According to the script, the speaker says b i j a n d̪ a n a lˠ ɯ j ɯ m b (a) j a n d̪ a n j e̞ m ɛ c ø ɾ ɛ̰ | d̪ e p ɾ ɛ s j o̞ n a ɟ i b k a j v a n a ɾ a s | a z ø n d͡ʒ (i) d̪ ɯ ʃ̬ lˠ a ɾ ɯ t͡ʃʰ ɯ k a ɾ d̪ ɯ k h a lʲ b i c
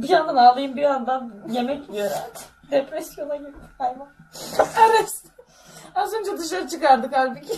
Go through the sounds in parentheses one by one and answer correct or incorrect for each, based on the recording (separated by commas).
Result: incorrect, incorrect